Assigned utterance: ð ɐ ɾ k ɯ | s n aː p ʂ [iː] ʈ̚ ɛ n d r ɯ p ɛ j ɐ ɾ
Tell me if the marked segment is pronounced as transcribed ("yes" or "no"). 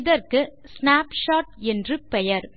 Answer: no